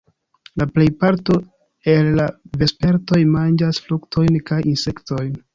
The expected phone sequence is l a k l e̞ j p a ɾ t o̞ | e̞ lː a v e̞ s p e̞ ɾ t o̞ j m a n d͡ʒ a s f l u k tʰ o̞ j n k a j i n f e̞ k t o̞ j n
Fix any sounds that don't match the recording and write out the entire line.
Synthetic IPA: l a p l e̞ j p a ɾ t o̞ | e̞ lː a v e̞ s p e̞ ɾ t o̞ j m a n d͡ʒ a s f l u k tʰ o̞ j n k a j i n s e̞ k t o̞ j n